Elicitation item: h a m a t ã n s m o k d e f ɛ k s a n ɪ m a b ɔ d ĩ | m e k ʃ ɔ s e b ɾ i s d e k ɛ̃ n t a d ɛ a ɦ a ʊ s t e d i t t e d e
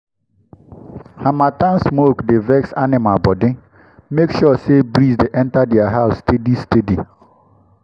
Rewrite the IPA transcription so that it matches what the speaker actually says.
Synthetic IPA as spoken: h a m a t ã n s m o k d e v ɛ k s a n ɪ m a b ɔ d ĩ | m e k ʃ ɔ s e b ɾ i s d e ʔ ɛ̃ n t a d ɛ a ɦ a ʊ s t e d i s t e d i